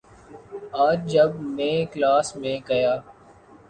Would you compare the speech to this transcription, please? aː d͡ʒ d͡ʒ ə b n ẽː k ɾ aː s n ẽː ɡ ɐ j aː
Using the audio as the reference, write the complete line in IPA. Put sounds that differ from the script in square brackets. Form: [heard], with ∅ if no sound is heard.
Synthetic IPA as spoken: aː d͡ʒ d͡ʒ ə b [m] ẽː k [l] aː s [m] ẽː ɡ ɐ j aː